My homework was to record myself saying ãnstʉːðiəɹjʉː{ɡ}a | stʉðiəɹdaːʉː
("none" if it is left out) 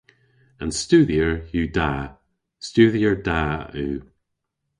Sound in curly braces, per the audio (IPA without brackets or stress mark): d